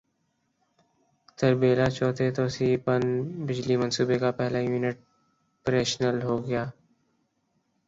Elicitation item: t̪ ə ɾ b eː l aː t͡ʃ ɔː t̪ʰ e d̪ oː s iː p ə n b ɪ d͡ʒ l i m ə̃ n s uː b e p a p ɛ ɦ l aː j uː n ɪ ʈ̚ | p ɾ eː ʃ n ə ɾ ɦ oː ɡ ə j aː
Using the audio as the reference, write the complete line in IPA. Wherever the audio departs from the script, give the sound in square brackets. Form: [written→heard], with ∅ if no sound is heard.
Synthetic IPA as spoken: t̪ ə ɾ b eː l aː t͡ʃ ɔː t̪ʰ e [d̪→t̪] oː s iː p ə n b ɪ d͡ʒ l i m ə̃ n s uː b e [p→k] a p ɛ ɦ l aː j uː n ɪ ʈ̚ | p ɾ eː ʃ n ə [ɾ→l] ɦ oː ɡ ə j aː